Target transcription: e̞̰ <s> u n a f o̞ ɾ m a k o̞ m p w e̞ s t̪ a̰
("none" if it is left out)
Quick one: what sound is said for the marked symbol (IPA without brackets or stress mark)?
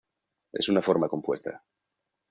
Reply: s